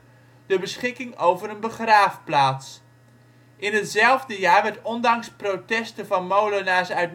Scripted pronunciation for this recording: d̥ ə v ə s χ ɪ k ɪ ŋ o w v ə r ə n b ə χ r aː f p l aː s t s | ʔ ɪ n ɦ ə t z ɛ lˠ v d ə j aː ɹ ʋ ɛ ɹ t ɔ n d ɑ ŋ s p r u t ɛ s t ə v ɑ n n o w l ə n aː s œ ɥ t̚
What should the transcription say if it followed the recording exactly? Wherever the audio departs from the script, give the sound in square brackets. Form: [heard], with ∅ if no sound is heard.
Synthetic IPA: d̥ ə [b] ə s χ ɪ k ɪ ŋ o w v ə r ə n b ə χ r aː f p l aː [∅] t s | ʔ ɪ n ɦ ə t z ɛ lˠ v d ə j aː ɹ ʋ ɛ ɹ t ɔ n d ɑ ŋ s p r [o] t ɛ s t ə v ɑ n [m] o w l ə n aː s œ ɥ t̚